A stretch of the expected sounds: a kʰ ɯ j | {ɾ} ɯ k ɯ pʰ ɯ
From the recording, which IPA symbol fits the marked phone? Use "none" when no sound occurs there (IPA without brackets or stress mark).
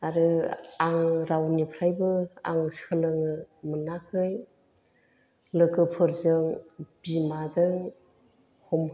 l